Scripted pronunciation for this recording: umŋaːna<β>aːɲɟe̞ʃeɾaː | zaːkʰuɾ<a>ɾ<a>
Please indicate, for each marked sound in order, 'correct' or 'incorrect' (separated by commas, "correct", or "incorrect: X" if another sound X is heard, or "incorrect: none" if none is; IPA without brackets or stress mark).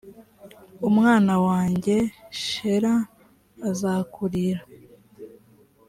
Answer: incorrect: w, incorrect: i, correct